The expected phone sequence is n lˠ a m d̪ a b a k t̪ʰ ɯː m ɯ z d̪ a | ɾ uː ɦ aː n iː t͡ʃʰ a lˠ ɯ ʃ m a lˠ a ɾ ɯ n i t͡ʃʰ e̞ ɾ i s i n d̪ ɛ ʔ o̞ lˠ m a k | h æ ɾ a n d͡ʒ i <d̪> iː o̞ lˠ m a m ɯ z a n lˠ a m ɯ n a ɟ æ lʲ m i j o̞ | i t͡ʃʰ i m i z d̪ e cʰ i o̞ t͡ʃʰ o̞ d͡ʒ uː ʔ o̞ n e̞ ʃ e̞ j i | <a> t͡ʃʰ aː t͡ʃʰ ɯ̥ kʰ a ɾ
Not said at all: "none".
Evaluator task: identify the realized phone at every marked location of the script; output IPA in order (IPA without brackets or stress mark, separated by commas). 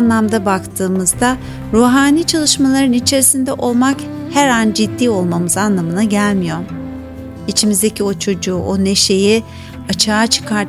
d̪ː, a